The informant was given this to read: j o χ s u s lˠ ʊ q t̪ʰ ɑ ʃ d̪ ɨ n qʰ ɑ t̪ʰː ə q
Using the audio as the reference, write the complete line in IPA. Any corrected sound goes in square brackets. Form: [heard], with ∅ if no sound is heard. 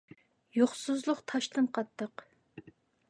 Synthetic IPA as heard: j o χ s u [z] lˠ ʊ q t̪ʰ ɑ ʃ [t̪] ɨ n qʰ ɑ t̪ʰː ə q